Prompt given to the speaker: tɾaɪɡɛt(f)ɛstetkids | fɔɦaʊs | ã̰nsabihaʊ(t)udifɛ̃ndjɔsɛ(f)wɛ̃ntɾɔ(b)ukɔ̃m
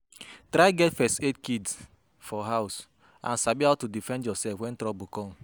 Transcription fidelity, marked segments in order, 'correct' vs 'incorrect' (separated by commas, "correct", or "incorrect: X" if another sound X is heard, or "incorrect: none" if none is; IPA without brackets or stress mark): correct, correct, correct, correct